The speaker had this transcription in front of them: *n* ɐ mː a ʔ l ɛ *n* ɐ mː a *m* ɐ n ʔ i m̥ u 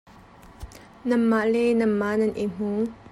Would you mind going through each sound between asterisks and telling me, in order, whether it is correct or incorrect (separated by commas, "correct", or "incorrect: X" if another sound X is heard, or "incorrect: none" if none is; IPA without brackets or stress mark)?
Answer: correct, correct, incorrect: n